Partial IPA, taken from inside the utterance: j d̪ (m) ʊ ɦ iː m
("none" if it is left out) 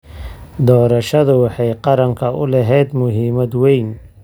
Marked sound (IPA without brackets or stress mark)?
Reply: m